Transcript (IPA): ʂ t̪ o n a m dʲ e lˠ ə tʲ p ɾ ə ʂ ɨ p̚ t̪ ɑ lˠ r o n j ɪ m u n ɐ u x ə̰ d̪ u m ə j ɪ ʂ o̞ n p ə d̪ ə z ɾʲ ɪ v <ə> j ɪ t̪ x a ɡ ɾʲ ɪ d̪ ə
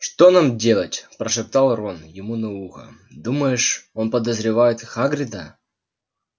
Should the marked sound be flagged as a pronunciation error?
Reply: yes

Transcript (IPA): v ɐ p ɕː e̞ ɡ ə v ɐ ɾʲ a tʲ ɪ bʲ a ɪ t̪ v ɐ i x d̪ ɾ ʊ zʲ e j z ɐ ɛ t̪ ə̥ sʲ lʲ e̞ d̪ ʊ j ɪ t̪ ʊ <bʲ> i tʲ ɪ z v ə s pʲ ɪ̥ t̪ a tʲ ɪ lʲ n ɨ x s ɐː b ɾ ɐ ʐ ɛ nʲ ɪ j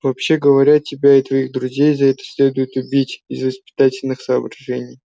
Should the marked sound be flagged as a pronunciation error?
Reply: no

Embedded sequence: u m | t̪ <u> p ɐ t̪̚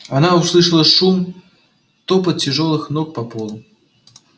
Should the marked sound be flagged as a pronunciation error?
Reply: yes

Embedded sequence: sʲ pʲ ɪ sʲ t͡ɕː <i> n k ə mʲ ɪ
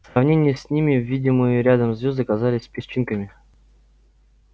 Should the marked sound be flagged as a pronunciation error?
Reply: no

